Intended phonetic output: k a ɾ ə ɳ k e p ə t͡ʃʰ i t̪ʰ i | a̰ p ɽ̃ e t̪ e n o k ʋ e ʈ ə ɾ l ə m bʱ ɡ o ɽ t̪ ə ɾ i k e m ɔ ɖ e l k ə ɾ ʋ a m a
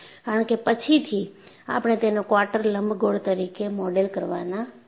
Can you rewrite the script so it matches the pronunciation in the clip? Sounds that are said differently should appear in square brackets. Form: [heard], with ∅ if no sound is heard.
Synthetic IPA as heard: k a ɾ ə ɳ k e p ə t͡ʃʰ i t̪ʰ i | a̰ p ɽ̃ e t̪ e n o k ʋ [a] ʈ ə ɾ l ə m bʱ ɡ o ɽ t̪ ə ɾ i k e m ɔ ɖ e l k ə ɾ ʋ a [n] a